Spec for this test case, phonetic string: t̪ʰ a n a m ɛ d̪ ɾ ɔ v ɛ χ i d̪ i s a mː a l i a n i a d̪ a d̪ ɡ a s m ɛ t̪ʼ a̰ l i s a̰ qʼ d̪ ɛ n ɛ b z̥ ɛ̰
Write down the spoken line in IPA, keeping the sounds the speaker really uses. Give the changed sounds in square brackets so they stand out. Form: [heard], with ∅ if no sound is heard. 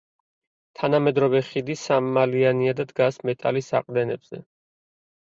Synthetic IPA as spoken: t̪ʰ a n a m ɛ d̪ ɾ ɔ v ɛ χ i d̪ i s a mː a l i a n i a d̪ a d̪ ɡ a s m ɛ t̪ʼ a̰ l i s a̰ qʼ d̪ ɛ n ɛ b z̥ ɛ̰